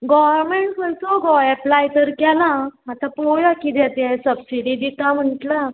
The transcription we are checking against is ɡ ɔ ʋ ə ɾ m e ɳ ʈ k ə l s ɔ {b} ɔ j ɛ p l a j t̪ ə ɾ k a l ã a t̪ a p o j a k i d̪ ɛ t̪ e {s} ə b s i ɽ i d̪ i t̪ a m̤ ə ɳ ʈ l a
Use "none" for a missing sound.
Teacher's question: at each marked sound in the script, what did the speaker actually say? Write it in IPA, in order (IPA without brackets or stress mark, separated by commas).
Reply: ɡ, s